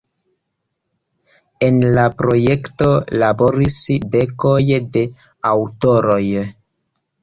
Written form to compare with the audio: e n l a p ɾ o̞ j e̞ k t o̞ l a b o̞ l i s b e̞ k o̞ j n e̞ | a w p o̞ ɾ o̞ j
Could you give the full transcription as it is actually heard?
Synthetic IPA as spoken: e n l a p ɾ o̞ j e̞ k t o̞ l a b o̞ ɾ i s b e̞ k o̞ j d e̞ | a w t o̞ ɾ o̞ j